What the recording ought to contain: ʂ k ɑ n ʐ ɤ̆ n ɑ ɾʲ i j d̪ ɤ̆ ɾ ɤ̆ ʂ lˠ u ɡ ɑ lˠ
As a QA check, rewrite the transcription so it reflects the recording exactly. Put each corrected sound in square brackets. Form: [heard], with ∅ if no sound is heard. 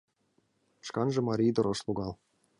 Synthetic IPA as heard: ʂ k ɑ n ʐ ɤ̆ [m] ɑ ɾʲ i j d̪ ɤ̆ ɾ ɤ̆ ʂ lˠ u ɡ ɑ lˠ